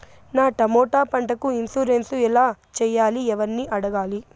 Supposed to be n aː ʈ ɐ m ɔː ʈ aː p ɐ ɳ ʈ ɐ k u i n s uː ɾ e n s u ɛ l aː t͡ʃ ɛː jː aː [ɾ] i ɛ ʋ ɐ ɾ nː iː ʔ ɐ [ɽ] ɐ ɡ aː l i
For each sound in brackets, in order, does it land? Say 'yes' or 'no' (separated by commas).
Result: no, yes